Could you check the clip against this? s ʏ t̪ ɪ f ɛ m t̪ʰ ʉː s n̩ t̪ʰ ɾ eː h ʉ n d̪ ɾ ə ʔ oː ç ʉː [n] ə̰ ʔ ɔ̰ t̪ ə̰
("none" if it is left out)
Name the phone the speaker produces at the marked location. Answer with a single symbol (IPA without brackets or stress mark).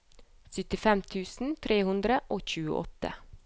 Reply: none